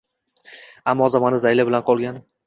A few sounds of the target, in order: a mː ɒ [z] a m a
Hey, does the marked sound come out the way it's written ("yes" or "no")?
yes